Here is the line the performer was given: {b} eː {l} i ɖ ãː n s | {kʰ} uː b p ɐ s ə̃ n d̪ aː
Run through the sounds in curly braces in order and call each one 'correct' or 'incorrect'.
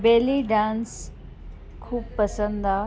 correct, correct, correct

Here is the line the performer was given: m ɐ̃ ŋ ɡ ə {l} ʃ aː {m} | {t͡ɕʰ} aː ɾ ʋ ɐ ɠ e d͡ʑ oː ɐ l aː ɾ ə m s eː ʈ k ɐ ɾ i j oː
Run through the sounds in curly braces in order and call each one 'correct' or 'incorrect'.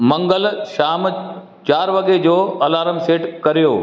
correct, correct, incorrect

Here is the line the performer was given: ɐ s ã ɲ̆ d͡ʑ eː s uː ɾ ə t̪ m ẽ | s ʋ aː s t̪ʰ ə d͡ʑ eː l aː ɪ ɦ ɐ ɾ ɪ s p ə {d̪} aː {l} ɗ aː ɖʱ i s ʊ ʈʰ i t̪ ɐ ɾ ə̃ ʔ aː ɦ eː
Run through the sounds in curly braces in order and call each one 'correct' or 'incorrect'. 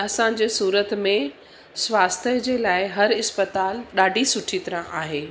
incorrect, correct

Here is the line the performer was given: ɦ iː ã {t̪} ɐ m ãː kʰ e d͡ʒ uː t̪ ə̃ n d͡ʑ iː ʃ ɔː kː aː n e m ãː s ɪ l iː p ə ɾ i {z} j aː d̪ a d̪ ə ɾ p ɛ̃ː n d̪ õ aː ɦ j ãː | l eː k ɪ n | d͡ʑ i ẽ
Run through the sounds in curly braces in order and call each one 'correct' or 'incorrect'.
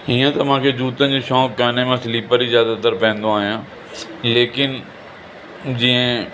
correct, correct

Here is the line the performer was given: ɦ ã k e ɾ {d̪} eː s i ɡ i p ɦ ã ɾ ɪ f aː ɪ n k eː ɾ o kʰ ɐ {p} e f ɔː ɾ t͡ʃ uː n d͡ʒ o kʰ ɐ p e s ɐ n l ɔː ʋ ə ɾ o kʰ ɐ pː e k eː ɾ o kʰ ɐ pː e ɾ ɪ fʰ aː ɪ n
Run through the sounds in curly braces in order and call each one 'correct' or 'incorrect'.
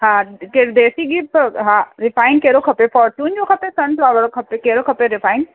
correct, correct

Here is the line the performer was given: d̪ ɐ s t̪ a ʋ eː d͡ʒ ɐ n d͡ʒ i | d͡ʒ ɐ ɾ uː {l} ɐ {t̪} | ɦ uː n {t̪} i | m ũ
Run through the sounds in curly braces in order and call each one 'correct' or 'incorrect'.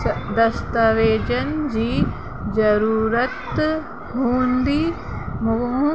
incorrect, correct, incorrect

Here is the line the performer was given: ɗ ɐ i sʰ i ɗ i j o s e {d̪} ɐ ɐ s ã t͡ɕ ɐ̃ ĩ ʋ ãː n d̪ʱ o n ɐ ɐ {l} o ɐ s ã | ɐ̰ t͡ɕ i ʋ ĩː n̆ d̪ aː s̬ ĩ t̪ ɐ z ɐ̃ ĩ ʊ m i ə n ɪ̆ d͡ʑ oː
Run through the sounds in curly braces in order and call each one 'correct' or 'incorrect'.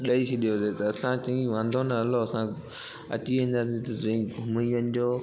incorrect, correct

